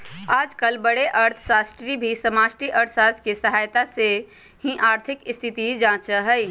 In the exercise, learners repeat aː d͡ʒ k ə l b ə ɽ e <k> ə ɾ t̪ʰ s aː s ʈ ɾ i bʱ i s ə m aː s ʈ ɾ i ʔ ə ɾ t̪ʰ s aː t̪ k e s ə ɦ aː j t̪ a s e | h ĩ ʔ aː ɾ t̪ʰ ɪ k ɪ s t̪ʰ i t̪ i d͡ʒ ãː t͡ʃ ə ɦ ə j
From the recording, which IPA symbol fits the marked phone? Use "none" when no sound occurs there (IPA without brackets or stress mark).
ʔ